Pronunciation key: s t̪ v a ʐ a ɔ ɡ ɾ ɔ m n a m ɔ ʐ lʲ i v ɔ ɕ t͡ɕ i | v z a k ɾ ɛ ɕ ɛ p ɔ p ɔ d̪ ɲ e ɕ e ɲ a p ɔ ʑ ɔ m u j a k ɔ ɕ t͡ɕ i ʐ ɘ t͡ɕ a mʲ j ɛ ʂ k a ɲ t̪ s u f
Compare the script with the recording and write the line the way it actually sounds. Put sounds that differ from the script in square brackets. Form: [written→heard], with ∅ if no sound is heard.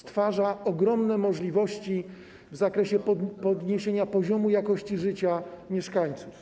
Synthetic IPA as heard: s t̪ [v→f] a ʐ a ɔ ɡ ɾ ɔ m n [a→ɛ] m ɔ ʐ lʲ i v ɔ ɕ t͡ɕ i | v z a k ɾ ɛ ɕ ɛ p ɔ p ɔ d̪ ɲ e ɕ e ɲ a p ɔ ʑ ɔ m u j a k ɔ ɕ t͡ɕ i ʐ ɘ t͡ɕ a mʲ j ɛ ʂ k a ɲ t̪ s u f